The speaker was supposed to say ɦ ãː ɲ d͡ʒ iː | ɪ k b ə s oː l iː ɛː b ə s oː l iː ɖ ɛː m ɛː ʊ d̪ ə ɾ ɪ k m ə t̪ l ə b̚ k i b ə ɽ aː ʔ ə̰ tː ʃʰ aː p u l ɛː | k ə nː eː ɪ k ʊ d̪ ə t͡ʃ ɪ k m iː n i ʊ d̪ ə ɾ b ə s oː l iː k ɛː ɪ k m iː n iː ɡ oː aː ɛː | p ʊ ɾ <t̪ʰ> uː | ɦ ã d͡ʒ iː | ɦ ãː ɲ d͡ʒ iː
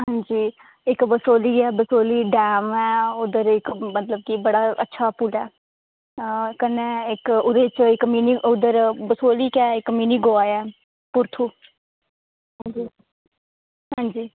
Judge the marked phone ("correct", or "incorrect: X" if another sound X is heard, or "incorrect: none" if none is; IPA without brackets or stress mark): correct